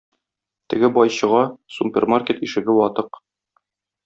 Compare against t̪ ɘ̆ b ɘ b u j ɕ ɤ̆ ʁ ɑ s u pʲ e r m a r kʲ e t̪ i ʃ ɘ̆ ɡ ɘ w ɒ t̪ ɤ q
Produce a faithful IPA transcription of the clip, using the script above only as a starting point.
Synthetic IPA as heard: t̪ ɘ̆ ɡ ɘ b ɒ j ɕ ɤ̆ ʁ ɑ s u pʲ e r m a r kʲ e t̪ i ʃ ɘ̆ ɡ ɘ w ɒ t̪ ɤ q